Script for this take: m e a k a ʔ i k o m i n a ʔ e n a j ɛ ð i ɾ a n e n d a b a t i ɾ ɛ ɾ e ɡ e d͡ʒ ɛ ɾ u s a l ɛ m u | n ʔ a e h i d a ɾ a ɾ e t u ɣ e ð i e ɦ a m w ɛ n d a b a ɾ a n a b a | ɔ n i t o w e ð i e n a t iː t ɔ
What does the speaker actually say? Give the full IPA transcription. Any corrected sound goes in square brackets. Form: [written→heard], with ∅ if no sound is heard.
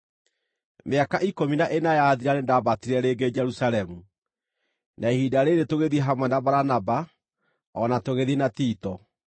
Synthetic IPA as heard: m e a k a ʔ i k o m i n a ʔ e n a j [ɛ→a] ð i ɾ a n e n d a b a t i ɾ ɛ ɾ e ɡ e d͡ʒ ɛ ɾ u s a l ɛ m u | n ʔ a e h i d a ɾ [a→e] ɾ e t [u→o] ɣ e ð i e ɦ a m w ɛ n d a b a ɾ a n a b a | ɔ n [i→a] t o [w→ɣ] e ð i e n a t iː t ɔ